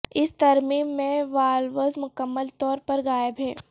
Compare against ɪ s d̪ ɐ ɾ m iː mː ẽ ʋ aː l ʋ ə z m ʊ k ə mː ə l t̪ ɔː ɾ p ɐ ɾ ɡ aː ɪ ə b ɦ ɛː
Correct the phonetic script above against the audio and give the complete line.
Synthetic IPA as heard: ɪ s t̪ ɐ ɾ m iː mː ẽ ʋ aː l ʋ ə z m ʊ k ə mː ə l t̪ ɔː ɾ p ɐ ɾ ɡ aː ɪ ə b ɦ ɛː